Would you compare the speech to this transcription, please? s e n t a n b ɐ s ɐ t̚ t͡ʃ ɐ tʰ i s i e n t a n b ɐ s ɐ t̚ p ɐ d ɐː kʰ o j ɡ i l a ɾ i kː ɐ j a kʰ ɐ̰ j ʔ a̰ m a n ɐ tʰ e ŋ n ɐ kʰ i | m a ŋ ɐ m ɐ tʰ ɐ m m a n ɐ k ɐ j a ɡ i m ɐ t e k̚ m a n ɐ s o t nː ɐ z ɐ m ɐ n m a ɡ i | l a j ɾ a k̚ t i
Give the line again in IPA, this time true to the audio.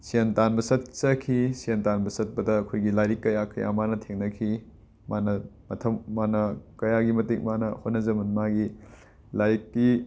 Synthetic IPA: s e n t a n b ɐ s ɐ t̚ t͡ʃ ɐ kʰ i s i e n t a n b ɐ s ɐ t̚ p ɐ d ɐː kʰ o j ɡ i l a ɾ i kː ɐ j a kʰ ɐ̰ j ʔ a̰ m a n ɐ tʰ e ŋ n ɐ kʰ i | m a n ɐ m ɐ tʰ ɐ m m a n ɐ k ɐ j a ɡ i m ɐ t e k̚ m a n ɐ h o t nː ɐ z ɐ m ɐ n m a ɡ i | l a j ɾ i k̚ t i